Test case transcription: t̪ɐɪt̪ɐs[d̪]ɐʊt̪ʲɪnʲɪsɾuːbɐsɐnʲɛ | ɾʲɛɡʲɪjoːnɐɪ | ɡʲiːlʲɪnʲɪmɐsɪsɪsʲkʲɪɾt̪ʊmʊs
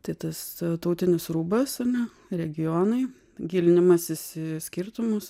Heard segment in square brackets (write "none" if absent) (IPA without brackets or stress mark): t̪